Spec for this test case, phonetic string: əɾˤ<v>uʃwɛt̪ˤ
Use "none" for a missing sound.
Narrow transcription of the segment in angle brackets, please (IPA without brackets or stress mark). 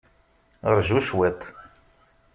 ʒ